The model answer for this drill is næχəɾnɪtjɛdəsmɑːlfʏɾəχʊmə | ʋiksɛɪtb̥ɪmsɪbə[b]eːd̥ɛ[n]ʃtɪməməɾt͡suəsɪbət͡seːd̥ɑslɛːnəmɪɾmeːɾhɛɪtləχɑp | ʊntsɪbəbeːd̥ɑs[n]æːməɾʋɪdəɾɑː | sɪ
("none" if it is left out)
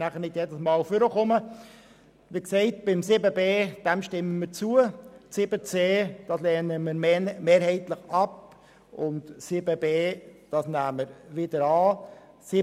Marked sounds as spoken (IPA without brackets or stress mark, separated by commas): b, m, n